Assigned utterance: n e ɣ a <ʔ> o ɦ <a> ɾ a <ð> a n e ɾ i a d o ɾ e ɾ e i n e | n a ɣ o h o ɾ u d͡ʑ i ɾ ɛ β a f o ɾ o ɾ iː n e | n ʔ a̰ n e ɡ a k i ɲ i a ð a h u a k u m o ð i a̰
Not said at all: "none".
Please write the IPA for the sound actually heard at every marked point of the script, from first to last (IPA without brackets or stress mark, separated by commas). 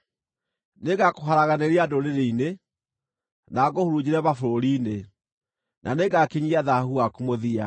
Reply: k, a, ɣ